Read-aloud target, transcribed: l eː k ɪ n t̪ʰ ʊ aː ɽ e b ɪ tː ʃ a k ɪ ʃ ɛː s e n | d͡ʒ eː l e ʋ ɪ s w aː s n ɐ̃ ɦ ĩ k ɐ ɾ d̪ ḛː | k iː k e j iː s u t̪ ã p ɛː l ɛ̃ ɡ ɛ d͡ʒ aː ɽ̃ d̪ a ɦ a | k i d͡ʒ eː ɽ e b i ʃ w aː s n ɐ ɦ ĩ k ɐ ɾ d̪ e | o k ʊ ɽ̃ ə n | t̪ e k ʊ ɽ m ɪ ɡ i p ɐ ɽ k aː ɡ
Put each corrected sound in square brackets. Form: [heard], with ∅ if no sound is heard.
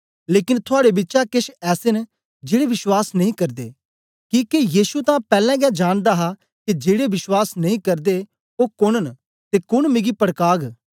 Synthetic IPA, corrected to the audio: l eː k ɪ n t̪ʰ ʊ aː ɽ e b ɪ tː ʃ a k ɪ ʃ ɛː s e n | d͡ʒ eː [ɽ] e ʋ ɪ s w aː s n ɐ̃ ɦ ĩ k ɐ ɾ d̪ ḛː | k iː k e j iː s u t̪ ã p ɛː l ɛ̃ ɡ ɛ d͡ʒ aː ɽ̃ d̪ a ɦ a | k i d͡ʒ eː ɽ e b [ɪ] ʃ w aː s n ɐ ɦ ĩ k ɐ ɾ d̪ e | o k ʊ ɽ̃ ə n | t̪ e k ʊ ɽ m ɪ ɡ i p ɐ ɽ k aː ɡ